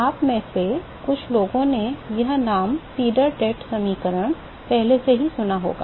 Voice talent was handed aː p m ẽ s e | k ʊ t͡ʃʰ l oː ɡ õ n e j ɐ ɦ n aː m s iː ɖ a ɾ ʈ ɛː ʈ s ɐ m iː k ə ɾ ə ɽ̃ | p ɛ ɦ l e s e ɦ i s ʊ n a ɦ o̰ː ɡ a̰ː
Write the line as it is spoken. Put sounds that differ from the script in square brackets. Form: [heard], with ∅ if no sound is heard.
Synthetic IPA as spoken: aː p m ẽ s e | k ʊ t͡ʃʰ l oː ɡ õ n e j ɐ ɦ n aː m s iː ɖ [ə] ɾ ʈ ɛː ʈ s ɐ m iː k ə ɾ ə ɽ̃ | p ɛ ɦ l e s e ɦ i s ʊ n a ɦ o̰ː ɡ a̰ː